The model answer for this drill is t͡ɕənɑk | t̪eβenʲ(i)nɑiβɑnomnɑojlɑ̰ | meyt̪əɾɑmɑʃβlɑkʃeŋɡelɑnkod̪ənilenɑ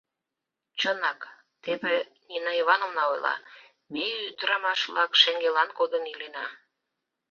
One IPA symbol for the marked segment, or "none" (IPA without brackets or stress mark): i